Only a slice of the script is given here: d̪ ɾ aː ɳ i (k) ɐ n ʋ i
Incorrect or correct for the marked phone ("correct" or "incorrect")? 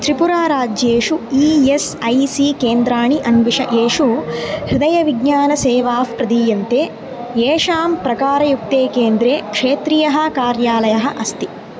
incorrect